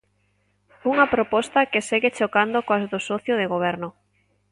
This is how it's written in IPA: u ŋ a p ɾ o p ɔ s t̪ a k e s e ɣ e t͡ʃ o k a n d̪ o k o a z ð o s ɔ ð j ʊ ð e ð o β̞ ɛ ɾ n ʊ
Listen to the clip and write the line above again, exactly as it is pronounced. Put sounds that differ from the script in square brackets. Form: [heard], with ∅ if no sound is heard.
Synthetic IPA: u ŋ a p ɾ o p ɔ s t̪ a k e s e ɣ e t͡ʃ o k a n d̪ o k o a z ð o s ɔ [θ] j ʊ ð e [ɣ] o β̞ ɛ ɾ n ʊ